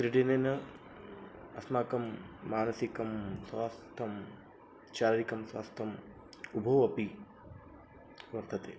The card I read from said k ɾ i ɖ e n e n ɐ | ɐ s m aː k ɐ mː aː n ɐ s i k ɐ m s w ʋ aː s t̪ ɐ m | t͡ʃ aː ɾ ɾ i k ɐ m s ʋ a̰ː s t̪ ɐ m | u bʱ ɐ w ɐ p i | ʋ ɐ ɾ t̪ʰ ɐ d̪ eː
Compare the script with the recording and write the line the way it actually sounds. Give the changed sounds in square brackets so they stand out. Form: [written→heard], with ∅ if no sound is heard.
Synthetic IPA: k ɾ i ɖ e n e n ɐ | ɐ s m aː k ɐ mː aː n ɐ s i k ɐ m s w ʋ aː s [t̪→t̪ʰ] ɐ m | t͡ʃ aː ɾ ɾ i k ɐ m s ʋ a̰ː s [t̪→t̪ʰ] ɐ m | u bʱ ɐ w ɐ p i | ʋ ɐ ɾ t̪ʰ ɐ [d̪→t̪] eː